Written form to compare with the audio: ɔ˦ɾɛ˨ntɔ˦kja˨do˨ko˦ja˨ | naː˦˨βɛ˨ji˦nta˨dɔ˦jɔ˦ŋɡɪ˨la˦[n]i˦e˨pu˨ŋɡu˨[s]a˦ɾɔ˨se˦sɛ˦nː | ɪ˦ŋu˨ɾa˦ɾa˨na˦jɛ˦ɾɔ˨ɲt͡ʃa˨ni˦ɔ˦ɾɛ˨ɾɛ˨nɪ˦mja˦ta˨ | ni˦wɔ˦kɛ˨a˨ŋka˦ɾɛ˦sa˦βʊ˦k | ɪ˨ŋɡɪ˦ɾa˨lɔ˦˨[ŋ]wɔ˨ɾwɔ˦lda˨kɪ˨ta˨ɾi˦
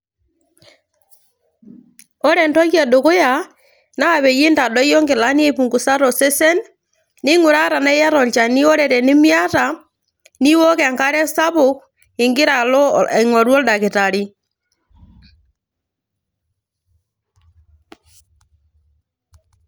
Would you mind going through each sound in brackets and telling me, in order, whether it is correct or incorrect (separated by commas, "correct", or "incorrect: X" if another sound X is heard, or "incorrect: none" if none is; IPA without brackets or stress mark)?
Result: correct, correct, correct